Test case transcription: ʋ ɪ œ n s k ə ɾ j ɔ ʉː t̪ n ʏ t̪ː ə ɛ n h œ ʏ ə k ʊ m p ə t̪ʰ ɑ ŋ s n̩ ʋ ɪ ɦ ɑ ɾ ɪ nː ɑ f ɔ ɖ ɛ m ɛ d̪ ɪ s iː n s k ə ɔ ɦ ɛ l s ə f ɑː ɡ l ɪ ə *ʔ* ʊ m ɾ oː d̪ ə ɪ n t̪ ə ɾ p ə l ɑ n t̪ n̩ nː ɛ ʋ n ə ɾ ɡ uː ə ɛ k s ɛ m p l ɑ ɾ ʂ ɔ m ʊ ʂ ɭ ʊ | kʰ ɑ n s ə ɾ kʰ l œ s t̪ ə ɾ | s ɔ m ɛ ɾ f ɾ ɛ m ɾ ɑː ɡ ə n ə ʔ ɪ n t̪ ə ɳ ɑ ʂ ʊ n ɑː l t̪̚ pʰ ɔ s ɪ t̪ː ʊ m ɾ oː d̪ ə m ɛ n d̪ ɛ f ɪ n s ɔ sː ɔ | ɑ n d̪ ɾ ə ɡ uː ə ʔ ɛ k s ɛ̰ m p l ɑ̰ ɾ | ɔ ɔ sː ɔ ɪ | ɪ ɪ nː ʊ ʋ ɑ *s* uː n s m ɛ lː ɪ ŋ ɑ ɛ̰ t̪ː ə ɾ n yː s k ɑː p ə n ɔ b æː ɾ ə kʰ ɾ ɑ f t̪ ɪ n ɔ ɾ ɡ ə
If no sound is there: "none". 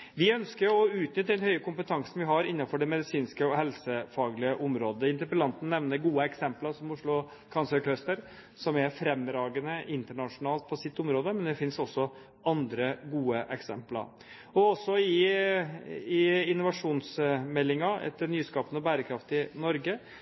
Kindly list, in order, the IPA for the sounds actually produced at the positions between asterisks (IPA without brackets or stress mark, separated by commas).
ʔ, ʂ